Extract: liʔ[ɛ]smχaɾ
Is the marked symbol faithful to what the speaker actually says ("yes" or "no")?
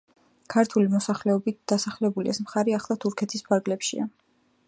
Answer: yes